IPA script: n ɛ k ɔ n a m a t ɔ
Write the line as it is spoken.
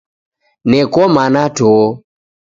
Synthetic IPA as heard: n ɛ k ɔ m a n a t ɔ